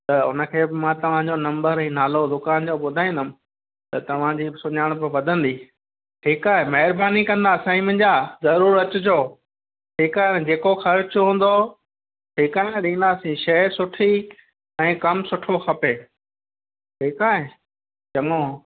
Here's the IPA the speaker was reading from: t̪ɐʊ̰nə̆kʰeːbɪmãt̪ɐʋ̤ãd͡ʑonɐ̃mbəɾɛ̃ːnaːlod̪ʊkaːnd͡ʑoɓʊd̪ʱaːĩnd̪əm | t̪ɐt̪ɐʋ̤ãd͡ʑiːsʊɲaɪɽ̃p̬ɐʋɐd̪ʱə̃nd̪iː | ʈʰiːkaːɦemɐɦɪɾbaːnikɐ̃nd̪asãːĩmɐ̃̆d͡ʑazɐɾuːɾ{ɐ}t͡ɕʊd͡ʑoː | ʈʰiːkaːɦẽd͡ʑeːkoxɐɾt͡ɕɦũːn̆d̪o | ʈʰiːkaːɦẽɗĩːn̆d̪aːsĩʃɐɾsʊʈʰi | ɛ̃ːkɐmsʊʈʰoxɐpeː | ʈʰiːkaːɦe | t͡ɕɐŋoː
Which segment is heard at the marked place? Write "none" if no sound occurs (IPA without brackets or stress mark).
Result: ɐ